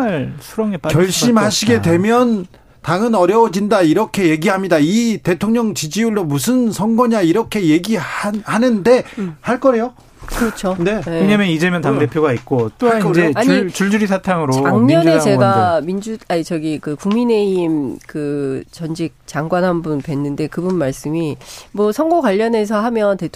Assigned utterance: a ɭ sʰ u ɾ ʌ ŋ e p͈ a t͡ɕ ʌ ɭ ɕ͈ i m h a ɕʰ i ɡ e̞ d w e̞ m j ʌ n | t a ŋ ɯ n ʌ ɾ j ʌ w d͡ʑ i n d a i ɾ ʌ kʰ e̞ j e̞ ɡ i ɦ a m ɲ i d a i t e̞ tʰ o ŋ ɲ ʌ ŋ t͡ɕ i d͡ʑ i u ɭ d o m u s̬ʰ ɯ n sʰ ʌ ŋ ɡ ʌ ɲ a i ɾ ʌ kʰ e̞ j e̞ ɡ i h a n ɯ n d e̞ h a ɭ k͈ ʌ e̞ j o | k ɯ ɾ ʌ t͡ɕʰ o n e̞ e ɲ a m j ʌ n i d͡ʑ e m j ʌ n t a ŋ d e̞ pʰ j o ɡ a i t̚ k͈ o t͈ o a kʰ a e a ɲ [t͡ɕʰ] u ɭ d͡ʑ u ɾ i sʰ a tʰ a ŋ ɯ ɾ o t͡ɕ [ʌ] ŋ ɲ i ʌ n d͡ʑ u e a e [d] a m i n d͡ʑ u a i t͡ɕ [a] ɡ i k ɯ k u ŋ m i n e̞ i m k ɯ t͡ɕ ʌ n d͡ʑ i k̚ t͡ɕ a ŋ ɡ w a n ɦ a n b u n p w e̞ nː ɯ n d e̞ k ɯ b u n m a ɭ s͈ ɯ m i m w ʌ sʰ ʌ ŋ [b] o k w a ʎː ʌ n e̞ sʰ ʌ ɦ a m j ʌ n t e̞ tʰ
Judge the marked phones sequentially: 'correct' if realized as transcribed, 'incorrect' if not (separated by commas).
incorrect, incorrect, incorrect, incorrect, incorrect